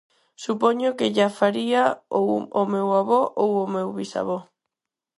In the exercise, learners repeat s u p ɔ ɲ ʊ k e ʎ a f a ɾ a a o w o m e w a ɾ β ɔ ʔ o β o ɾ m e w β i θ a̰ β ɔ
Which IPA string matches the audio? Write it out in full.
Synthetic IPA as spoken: s u p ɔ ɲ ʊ k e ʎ a f a ɾ i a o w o m e w a β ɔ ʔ o w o m e w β i s a̰ β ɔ